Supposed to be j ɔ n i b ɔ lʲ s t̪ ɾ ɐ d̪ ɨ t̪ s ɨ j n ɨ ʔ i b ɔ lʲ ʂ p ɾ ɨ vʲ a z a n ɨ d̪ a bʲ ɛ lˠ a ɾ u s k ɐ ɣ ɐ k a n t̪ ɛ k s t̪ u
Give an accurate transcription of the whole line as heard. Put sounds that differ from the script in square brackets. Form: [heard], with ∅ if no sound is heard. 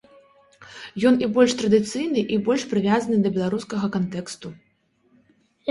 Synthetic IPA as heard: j ɔ n i b ɔ lʲ [ʂ] t̪ ɾ ɐ d̪ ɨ t̪ s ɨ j n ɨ ʔ i b ɔ lʲ ʂ p ɾ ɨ vʲ a z [ɐ] n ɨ d̪ [ɐ] bʲ ɛ lˠ a ɾ u s k ɐ ɣ ɐ k a n t̪ ɛ k s t̪ u